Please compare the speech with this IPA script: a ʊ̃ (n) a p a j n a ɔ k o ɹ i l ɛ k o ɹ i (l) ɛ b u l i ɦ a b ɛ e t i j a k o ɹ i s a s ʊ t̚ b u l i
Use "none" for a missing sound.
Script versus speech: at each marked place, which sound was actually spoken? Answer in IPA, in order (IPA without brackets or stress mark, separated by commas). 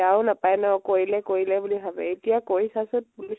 n, l